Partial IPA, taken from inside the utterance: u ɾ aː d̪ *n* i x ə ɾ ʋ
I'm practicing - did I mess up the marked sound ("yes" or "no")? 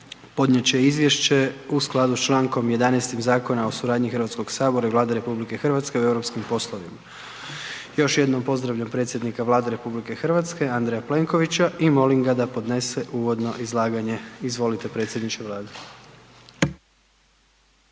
yes